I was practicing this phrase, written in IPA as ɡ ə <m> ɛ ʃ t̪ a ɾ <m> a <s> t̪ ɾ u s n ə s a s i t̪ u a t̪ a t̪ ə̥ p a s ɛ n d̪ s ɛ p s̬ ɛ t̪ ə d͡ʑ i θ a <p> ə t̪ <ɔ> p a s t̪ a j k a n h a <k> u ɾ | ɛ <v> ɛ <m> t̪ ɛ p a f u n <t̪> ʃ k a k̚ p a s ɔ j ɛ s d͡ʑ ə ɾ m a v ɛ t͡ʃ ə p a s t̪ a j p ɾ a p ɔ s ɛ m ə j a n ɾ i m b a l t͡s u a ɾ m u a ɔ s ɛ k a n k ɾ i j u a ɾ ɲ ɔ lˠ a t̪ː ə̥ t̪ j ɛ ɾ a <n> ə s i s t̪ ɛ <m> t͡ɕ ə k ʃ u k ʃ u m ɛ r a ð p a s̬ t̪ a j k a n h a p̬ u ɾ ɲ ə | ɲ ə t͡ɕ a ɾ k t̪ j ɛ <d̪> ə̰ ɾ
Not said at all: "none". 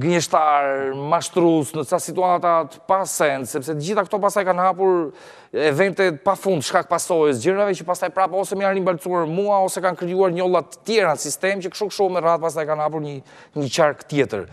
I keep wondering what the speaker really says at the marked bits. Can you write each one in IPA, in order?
ɲ, m, ʃ, k, ɔ, p, v, n, d̪, n, m, t̪

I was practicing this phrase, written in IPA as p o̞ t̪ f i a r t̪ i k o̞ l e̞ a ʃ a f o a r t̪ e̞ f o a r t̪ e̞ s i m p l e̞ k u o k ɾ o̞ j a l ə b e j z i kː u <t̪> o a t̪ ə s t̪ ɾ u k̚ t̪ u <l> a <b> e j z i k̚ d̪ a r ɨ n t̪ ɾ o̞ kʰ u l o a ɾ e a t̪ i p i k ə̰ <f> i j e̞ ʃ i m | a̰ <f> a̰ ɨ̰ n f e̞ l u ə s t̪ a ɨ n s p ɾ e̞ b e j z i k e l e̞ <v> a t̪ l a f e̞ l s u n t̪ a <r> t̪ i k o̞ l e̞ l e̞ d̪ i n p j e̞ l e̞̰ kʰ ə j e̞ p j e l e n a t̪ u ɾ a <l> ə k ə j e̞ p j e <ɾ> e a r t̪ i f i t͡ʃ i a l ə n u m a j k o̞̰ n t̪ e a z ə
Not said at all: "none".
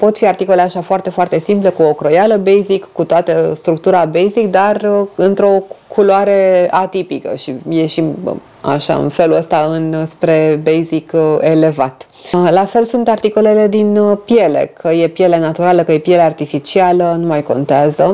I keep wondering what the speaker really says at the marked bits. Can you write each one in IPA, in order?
t̪, ɾ, b, ʃ, ʃ, v, r, l, l

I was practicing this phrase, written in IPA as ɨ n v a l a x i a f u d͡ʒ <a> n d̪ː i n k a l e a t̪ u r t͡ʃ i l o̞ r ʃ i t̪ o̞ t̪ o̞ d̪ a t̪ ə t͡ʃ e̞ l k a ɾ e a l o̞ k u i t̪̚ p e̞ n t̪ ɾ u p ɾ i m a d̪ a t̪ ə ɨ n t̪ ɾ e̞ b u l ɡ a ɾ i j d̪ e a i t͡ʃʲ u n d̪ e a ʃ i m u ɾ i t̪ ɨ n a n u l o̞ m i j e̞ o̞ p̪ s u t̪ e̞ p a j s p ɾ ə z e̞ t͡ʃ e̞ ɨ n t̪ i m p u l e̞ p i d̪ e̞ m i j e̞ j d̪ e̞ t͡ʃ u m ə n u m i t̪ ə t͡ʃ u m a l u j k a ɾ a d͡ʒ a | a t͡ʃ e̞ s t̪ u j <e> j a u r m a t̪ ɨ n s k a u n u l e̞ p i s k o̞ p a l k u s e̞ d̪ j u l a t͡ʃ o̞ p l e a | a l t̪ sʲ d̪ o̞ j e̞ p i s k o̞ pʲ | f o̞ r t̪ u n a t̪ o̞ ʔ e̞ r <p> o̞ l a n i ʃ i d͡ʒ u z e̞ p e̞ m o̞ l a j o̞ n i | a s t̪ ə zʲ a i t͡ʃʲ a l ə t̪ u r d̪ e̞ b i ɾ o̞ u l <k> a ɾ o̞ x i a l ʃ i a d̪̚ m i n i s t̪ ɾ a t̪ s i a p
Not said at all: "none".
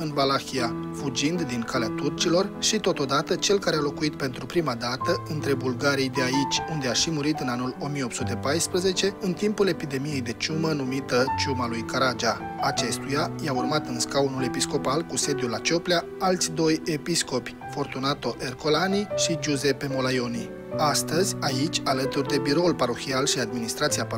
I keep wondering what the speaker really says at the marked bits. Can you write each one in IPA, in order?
i, a, k, p

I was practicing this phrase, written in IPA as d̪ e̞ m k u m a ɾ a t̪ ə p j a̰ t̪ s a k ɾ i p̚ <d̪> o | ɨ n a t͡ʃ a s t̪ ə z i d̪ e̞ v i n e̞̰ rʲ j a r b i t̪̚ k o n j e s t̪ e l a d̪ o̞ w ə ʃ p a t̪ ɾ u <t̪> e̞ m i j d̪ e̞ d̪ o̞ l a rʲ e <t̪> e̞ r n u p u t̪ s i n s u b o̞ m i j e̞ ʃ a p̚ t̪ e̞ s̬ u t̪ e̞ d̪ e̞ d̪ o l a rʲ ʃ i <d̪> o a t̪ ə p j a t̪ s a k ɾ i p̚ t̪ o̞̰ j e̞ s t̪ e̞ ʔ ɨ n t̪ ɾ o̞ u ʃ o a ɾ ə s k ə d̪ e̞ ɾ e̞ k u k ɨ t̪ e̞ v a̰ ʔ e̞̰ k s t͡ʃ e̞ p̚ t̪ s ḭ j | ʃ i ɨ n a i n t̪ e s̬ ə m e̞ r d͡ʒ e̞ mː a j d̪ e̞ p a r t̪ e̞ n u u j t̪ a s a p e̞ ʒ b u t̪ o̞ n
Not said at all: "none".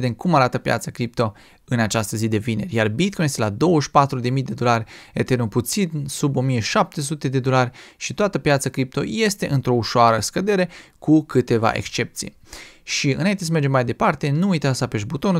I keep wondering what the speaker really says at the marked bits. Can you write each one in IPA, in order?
t̪, d̪, t̪, t̪

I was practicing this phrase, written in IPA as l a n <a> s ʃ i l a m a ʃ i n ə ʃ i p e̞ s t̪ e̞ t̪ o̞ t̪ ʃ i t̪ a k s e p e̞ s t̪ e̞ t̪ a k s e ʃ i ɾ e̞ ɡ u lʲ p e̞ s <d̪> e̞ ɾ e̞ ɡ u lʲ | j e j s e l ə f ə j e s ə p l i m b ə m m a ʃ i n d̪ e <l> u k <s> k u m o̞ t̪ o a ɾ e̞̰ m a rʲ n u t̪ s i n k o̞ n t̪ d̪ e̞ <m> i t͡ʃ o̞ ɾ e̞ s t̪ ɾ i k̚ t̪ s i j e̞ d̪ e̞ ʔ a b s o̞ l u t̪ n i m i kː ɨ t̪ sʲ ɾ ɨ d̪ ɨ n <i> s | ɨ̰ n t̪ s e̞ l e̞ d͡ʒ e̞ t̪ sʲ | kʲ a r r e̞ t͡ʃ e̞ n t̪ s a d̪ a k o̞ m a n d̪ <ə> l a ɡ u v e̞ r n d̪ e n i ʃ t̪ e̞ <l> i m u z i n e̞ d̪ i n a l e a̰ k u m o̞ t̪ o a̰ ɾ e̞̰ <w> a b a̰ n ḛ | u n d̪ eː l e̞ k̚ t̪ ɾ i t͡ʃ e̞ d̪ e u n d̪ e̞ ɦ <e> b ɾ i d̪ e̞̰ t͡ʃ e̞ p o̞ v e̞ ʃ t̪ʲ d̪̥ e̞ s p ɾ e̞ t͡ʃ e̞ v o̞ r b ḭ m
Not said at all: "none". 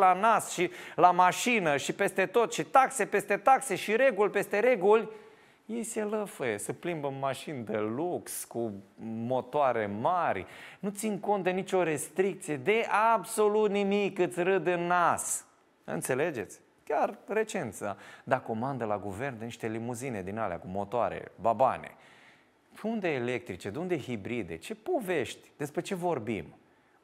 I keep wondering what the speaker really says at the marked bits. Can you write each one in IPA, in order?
a, t̪, l, s, n, a, ə, l, b, i

